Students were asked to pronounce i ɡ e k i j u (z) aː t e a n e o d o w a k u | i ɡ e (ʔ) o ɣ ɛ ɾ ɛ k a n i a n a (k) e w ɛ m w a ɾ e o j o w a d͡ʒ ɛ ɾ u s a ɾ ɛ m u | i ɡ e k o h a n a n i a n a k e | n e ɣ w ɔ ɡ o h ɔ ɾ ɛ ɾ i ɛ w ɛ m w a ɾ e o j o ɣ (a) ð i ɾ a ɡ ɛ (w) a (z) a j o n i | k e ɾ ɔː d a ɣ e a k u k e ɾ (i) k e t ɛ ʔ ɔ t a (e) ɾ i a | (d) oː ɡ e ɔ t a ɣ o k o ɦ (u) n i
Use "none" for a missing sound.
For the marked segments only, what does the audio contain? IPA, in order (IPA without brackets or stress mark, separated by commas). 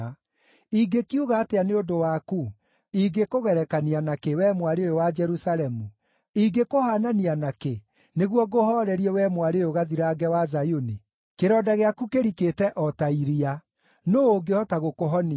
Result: ɣ, k, k, a, w, z, i, i, n, ɔ